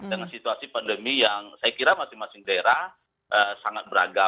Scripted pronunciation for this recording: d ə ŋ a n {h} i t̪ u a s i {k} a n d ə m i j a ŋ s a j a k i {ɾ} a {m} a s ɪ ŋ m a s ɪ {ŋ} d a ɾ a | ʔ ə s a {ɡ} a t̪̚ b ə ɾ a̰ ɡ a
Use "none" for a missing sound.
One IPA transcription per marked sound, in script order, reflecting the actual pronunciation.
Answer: s, p, ɾ, m, ŋ, ŋ

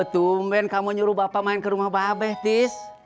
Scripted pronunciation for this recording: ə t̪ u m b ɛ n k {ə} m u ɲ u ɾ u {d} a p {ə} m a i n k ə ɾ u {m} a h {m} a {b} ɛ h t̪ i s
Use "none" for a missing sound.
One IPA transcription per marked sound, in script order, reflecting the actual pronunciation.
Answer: a, b, a, m, b, b

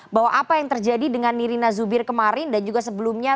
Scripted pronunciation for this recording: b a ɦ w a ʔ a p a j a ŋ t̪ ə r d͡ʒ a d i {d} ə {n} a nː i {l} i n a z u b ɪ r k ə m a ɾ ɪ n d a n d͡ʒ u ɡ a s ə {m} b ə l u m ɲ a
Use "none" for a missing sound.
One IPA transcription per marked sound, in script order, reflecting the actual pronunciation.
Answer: d, ŋ, ɾ, none

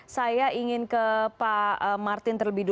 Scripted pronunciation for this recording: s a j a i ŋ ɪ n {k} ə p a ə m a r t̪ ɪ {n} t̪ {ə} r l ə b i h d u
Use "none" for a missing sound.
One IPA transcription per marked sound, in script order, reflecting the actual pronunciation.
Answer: k, n, ə

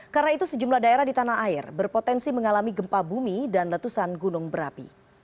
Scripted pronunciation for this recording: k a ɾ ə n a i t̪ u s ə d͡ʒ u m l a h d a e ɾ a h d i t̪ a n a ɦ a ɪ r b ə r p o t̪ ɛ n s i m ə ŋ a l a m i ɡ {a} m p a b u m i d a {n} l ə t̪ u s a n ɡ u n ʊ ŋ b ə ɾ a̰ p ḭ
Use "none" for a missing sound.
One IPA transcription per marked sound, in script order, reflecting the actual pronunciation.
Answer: ə, n

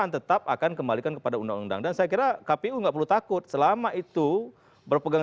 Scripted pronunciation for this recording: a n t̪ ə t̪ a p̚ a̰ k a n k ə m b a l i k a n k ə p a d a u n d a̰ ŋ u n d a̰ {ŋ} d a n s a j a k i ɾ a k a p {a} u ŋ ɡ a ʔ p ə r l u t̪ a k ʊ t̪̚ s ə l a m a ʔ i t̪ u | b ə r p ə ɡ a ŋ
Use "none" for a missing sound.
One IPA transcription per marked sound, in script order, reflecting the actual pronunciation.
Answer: ŋ, e

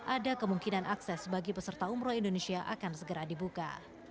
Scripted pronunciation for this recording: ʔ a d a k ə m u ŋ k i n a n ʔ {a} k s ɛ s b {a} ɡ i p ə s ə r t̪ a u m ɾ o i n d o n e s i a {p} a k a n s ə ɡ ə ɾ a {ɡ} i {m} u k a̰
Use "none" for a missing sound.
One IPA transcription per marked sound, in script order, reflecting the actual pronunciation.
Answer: a, a, ʔ, d, b

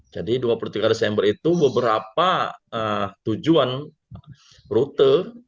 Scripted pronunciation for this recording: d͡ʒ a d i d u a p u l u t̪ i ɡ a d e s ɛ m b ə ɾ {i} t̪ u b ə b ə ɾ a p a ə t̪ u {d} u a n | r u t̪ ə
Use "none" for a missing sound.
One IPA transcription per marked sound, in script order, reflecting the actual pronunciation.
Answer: i, d͡ʒ

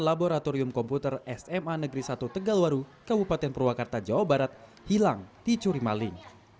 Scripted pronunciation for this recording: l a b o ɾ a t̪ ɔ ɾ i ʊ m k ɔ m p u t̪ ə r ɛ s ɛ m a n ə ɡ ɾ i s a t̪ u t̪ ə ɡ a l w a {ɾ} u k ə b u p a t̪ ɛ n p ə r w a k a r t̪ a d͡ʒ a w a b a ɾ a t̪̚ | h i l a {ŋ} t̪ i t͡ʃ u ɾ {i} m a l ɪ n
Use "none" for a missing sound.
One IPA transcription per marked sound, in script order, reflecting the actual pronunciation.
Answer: ɾ, ŋ, i

